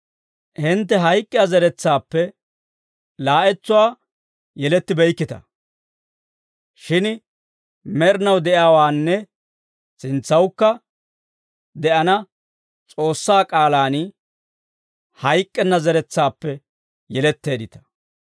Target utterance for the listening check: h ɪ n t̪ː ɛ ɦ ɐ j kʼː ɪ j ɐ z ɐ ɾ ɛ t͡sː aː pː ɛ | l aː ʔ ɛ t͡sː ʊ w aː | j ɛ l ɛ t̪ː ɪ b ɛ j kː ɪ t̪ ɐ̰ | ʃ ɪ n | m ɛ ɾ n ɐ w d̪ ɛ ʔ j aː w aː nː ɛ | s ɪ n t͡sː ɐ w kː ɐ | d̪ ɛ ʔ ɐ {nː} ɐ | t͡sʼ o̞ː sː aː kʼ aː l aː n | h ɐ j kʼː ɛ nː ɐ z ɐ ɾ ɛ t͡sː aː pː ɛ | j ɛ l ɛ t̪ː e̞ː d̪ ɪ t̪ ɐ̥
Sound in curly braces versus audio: incorrect: n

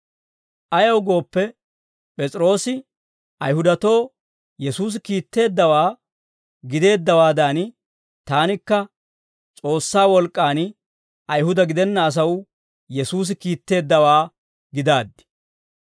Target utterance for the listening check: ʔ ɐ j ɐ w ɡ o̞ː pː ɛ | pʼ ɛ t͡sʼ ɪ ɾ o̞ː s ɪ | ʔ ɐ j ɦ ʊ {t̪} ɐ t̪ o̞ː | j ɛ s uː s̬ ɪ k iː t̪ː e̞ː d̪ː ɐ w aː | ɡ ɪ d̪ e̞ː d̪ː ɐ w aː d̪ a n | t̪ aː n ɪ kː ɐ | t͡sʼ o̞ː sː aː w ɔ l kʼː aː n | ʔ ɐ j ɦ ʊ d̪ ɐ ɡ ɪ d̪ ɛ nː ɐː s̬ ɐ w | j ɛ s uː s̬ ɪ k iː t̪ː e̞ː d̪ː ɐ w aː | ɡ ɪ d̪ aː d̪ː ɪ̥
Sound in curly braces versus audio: incorrect: d̪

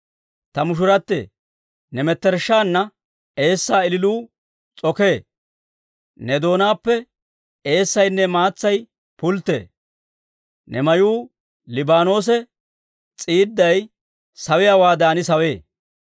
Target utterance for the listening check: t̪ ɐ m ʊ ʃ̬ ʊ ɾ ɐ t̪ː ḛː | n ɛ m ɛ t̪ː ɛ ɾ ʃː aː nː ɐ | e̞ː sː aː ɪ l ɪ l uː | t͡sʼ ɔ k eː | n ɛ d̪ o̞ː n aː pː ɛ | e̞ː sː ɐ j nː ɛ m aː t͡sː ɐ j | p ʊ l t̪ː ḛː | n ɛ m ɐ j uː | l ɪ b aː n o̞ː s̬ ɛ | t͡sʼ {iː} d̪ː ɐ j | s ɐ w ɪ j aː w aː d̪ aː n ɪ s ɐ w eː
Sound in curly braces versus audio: correct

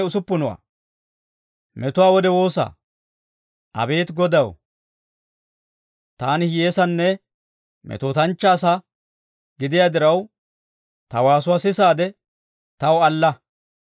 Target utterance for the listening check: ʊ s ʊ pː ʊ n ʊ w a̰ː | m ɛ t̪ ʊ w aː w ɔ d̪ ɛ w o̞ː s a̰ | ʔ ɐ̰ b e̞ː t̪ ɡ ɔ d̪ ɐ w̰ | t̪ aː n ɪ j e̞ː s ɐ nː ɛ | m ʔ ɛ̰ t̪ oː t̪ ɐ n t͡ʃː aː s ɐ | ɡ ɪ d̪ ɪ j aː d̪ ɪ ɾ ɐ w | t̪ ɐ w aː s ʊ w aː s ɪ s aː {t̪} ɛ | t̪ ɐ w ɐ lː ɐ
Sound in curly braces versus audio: incorrect: d̪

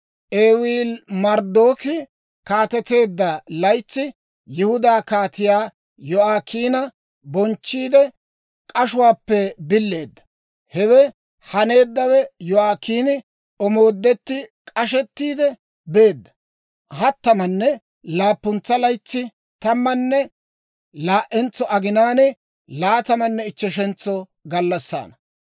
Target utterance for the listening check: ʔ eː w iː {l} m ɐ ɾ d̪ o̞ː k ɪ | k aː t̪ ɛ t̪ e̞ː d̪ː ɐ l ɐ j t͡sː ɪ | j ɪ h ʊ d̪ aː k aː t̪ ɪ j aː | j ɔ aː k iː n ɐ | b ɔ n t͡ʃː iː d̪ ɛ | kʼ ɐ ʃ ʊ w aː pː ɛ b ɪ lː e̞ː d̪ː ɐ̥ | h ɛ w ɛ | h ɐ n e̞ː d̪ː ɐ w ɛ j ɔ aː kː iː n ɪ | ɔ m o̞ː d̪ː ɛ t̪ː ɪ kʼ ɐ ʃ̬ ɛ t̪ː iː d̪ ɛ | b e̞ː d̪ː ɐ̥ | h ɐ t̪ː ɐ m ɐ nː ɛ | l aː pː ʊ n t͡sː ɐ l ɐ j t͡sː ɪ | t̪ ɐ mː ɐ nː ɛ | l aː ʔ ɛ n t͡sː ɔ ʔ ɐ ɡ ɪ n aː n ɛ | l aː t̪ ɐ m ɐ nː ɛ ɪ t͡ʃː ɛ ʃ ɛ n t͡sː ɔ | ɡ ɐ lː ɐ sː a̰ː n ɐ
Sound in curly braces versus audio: correct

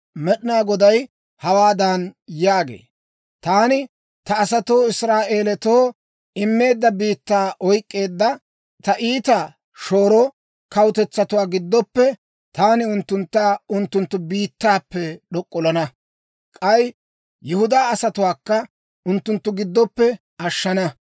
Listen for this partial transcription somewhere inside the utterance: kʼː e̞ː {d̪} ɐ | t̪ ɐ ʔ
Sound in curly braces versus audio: incorrect: d̪ː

